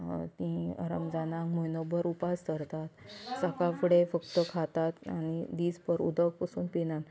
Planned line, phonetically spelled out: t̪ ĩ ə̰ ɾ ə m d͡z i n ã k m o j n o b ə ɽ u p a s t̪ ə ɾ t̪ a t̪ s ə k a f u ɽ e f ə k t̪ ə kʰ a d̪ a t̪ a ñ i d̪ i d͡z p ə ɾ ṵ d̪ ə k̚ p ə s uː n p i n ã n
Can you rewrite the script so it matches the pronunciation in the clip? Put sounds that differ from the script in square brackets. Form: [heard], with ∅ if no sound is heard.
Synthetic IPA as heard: t̪ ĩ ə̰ ɾ ə m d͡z [a] n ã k m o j n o b ə [ɾ] u p a s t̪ ə ɾ t̪ a t̪ s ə k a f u ɽ e f ə k t̪ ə kʰ a [t̪] a t̪ a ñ i d̪ i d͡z p ə ɾ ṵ d̪ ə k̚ p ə s uː n p i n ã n